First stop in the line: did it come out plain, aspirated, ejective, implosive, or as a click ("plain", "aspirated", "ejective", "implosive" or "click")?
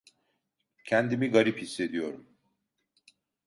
aspirated